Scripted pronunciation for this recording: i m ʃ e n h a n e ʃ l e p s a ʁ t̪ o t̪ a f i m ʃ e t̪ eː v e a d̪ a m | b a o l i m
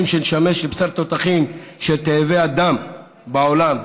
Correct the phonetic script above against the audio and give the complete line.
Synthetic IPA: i m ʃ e n ʃ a m e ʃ l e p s a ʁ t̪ o t̪ a χ i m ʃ e t̪ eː v e a d̪ a m | b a o l a m

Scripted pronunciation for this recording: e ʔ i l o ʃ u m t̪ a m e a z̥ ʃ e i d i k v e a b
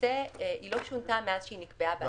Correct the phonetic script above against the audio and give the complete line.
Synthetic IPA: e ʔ i l o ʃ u n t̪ a m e a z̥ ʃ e i n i k b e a b

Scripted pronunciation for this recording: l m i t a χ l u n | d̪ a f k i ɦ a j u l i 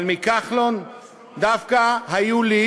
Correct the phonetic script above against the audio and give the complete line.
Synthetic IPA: l m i k a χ l o n | d̪ a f k a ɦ a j u l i

